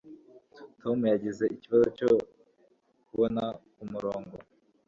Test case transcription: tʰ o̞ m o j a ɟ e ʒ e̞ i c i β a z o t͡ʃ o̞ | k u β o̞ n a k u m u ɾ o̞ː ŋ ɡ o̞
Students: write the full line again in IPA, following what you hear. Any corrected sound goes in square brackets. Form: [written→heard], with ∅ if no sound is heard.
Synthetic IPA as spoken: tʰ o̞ m [o→u] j a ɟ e [ʒ→z] e̞ i c i β a z o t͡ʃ o̞ | k u β o̞ n a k u m u ɾ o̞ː ŋ ɡ o̞